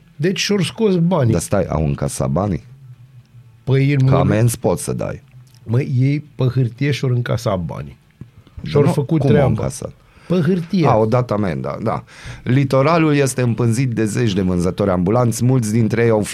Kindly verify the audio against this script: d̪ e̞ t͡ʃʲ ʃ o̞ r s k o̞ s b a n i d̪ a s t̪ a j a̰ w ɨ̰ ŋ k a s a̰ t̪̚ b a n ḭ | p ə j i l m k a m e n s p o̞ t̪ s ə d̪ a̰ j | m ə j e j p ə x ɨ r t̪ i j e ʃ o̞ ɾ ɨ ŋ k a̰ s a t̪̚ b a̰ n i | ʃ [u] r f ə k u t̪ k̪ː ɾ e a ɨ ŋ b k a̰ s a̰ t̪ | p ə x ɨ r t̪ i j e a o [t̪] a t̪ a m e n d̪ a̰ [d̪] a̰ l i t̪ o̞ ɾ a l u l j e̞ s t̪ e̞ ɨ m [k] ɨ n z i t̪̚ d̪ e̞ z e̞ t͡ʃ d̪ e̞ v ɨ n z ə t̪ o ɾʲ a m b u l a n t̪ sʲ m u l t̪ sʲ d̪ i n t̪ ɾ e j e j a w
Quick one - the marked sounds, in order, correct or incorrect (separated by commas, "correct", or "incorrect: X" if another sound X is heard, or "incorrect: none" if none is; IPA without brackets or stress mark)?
incorrect: o, incorrect: d̪, correct, incorrect: p